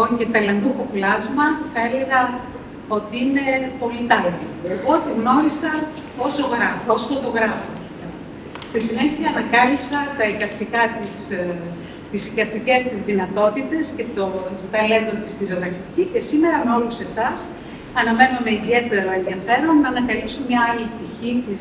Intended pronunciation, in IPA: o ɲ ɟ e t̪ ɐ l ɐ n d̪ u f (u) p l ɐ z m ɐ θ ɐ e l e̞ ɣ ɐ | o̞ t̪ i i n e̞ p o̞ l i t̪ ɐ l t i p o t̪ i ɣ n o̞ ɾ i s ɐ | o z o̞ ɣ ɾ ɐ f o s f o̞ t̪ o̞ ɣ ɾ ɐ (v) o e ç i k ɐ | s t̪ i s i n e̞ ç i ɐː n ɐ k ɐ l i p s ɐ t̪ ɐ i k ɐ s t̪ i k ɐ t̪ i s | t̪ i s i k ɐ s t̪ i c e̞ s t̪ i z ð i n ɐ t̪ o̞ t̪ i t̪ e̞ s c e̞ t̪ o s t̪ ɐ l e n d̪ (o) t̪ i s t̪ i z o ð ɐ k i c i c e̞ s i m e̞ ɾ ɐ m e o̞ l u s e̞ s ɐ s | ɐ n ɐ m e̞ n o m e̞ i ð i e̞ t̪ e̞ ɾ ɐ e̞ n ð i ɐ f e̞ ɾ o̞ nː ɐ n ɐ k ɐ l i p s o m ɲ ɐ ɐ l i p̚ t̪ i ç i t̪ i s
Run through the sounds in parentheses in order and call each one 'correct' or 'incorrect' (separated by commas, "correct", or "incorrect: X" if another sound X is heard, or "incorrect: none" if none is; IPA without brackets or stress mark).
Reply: incorrect: o, incorrect: f, correct